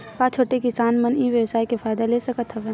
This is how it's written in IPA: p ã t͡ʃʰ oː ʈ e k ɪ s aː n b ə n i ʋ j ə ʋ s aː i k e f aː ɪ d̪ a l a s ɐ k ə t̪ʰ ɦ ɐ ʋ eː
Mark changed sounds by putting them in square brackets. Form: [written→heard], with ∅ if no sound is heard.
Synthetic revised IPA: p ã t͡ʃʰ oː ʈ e k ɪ s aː n [b→m] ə n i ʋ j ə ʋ s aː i k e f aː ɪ d̪ a l [a→e] s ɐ k ə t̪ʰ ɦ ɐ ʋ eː